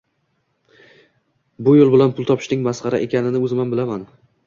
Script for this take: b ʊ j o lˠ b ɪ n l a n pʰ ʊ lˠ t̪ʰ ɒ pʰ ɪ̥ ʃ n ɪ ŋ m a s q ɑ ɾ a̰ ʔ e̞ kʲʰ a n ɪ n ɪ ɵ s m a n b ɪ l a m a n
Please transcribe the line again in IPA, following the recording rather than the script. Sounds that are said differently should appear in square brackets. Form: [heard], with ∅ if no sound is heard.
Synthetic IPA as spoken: b ʊ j o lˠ b ɪ [∅] l a n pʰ ʊ lˠ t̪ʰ ɒ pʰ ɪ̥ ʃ n ɪ ŋ m a s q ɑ ɾ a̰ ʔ e̞ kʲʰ a n ɪ n ɪ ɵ [z] m a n b ɪ l a m a n